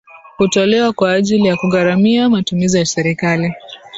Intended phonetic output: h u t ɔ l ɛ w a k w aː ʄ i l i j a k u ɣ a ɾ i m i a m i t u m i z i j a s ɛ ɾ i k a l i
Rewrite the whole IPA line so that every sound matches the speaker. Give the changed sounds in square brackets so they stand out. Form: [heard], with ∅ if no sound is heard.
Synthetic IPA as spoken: h u t ɔ l ɛ w a k w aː ʄ i l i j a k u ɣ a ɾ [a] m i a m [a] t u m i z i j a s ɛ ɾ i k a l i

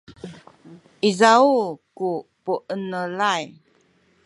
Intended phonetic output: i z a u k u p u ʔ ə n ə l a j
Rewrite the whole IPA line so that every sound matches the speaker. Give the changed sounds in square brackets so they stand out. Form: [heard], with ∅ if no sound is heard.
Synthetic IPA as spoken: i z a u k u p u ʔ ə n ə l a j

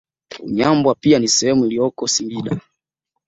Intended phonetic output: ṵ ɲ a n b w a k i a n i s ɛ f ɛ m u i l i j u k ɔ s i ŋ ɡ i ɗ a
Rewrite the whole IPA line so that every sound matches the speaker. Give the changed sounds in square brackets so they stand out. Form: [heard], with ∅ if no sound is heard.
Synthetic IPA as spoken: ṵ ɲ a [m] b w a [p] i a n i s ɛ [h] ɛ m u i l i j [ɔ] k ɔ s i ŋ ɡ i ɗ a

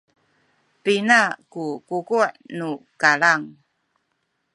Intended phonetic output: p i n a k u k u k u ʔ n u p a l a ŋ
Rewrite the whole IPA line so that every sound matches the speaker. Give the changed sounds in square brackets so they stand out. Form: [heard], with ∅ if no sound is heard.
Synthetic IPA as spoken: p i n a k u k u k u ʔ n u [k] a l a ŋ

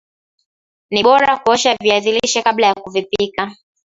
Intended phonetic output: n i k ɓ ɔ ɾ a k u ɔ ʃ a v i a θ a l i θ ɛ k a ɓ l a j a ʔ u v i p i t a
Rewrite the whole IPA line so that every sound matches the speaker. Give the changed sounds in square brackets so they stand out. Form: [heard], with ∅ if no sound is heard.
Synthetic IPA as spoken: n i [∅] ɓ ɔ ɾ a k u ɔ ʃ a v i a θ [i] l i [ʃ] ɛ k a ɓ l a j a [k] u v i p i [k] a

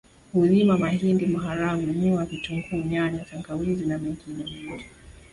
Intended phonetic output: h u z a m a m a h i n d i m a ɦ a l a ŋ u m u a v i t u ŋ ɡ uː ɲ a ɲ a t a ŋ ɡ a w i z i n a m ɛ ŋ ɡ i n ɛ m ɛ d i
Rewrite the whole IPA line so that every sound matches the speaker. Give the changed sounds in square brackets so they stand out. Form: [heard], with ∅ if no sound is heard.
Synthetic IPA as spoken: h u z [i] m a m a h i n d i m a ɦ a [ɾ] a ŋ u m u a v i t u ŋ ɡ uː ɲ a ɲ a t a ŋ ɡ a w i z i n a m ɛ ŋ ɡ i n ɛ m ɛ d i

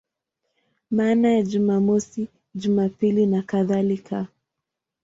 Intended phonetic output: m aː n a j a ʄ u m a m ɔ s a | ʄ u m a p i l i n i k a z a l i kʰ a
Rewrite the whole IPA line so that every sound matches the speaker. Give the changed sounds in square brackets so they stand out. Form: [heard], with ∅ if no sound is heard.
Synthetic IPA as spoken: m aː n a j a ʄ u m a m ɔ s [i] | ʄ u m a p i l i n [a] k a [ð] a l i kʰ a

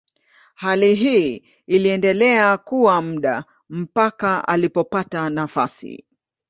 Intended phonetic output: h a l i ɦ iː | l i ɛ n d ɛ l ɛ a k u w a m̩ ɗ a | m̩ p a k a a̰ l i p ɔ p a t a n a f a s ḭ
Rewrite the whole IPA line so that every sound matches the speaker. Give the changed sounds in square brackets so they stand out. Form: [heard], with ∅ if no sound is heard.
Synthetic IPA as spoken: h a l i ɦ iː | l i ɛ n d ɛ l ɛ a k u w a m̩ ɗ a | m̩ p a k a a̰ l i p ɔ p a t a n a f a s ḭ

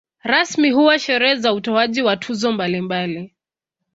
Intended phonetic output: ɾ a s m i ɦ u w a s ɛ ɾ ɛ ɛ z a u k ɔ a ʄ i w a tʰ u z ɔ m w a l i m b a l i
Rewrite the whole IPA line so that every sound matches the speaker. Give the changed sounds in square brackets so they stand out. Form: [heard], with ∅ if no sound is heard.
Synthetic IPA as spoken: ɾ a s m i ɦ u w a [ʃ] ɛ ɾ ɛ ɛ z a u [t] ɔ a ʄ i w a tʰ u z ɔ m [b] a l i m b a l i

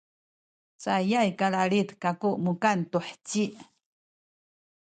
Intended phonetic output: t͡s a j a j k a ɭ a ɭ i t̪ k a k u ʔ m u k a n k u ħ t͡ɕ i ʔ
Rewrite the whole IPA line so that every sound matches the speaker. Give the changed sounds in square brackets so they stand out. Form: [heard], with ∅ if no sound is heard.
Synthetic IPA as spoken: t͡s a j a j k a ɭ a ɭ i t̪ k a k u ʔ m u k a n [t] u ħ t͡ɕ i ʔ

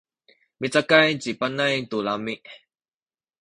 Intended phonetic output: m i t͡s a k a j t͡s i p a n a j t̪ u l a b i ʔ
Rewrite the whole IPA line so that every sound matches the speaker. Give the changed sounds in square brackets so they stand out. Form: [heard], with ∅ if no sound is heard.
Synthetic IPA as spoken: m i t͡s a k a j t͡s i p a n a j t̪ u l a [m] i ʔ

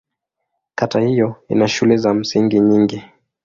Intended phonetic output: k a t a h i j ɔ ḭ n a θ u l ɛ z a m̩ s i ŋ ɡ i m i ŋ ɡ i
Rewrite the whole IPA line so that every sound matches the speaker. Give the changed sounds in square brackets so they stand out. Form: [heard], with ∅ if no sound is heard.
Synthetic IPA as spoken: k a t a h i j ɔ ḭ n a [ʃ] u l ɛ z a m̩ s i ŋ ɡ i [ɲ] i ŋ ɡ i

